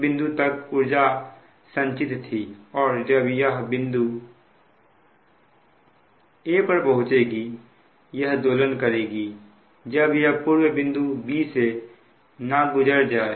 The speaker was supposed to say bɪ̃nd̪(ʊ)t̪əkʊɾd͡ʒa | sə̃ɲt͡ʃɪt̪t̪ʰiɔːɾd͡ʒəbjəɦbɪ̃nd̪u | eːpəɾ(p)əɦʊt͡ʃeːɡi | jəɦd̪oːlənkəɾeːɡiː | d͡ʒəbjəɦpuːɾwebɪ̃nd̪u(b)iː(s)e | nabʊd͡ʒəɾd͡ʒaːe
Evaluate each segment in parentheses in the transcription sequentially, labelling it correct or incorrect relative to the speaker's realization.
incorrect: u, correct, correct, correct

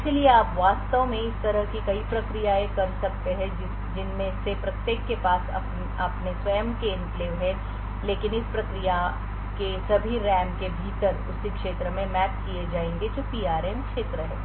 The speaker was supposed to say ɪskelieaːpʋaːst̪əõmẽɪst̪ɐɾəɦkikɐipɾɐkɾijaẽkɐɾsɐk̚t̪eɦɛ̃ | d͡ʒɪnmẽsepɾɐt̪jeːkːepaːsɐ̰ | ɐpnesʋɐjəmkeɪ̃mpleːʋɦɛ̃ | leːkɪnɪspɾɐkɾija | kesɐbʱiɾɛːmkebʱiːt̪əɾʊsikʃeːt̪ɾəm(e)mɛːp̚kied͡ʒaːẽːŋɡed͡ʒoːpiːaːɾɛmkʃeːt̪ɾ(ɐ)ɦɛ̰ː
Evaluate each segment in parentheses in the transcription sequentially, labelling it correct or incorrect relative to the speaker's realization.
incorrect: ẽ, incorrect: ə

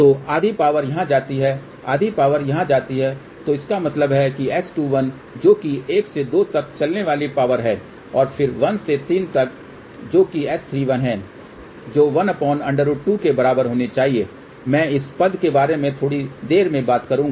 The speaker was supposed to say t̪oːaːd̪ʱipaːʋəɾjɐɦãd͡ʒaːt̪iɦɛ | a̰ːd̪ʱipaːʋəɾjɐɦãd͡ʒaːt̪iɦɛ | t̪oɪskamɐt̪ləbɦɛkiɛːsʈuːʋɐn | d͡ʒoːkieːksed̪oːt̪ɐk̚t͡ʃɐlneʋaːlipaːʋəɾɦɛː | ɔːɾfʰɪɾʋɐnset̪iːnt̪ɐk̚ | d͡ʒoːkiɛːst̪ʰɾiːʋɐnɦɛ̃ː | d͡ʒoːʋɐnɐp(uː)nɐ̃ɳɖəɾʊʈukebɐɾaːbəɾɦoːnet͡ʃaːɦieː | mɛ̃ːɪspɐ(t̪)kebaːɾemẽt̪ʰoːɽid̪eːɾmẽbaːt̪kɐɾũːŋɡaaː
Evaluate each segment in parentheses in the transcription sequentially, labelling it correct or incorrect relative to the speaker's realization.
incorrect: ɔː, incorrect: d̪

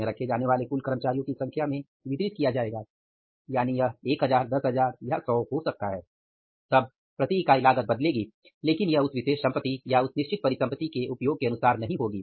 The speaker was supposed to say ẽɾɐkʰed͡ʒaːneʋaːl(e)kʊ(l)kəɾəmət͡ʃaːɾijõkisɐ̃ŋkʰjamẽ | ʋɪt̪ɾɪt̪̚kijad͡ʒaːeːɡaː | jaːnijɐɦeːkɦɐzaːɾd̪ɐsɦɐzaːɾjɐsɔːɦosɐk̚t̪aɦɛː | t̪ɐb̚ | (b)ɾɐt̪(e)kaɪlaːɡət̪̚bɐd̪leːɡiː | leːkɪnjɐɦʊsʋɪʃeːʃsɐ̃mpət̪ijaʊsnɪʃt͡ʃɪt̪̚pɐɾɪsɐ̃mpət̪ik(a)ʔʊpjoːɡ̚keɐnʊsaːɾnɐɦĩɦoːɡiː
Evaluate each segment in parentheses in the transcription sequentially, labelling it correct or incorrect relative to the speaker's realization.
correct, correct, incorrect: p, incorrect: i, incorrect: e

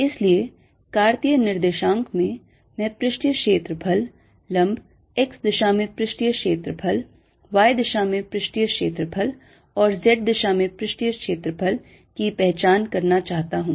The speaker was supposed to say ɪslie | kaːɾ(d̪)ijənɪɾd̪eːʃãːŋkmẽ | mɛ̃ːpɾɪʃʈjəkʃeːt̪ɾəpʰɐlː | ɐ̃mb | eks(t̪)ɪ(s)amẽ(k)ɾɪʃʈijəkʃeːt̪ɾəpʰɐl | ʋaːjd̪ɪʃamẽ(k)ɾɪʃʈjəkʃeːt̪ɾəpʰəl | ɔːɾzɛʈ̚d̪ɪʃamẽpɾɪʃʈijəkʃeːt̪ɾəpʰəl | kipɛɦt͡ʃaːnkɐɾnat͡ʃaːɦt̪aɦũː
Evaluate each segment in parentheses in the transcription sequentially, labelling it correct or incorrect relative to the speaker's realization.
incorrect: t̪, incorrect: d̪, incorrect: ʃ, incorrect: p, incorrect: p

